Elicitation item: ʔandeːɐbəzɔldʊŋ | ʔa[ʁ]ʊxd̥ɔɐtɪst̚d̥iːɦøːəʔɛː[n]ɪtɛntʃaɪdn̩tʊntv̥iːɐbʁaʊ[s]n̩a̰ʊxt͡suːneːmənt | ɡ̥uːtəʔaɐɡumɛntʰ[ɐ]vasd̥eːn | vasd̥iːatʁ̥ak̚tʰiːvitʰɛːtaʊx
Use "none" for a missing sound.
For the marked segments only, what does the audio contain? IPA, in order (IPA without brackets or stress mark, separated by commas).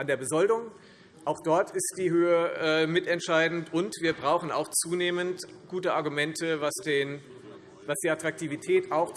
none, m, x, ə